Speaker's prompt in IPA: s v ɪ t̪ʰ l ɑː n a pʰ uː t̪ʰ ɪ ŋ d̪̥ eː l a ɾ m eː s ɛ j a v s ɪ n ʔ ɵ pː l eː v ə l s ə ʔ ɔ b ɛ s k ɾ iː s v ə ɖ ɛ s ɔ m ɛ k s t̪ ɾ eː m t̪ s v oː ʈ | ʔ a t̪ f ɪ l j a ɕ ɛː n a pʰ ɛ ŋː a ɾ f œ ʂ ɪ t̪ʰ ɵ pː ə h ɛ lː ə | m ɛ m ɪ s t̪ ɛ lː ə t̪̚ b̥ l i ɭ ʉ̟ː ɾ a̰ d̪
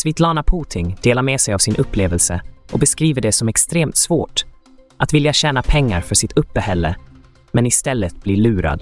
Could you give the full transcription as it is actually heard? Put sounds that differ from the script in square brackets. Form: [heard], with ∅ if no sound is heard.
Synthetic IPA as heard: s v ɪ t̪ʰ l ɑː n a pʰ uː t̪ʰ ɪ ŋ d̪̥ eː l a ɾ m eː s ɛ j a v s ɪ n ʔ ɵ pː l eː v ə l s ə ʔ ɔ b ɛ s k ɾ iː [∅] v ə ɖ ɛ s ɔ m ɛ k s t̪ ɾ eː m t̪ s v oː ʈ | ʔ a t̪ [v] ɪ l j a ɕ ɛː n a pʰ ɛ ŋː a ɾ f œ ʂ ɪ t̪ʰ ɵ pː ə h ɛ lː ə | m ɛ [n] ɪ s t̪ ɛ lː ə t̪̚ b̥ l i ɭ ʉ̟ː ɾ a̰ d̪